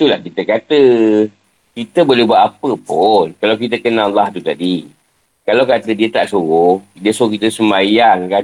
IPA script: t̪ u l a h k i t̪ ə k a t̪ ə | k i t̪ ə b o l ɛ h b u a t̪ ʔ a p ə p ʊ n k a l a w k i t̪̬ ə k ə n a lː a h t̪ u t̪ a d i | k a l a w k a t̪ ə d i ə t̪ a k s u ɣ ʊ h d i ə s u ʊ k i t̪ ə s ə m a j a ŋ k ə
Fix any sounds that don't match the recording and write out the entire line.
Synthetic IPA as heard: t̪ u l a h k i t̪ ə k a t̪ ə | k i t̪ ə b o l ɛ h b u a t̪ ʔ a p ə p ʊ n k a l a w k i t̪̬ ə k ə n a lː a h t̪ u t̪ a d i | k a l a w k a t̪ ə d i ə t̪ a ʔ s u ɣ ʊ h d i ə s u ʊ k i t̪ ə s ə m a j a ŋ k a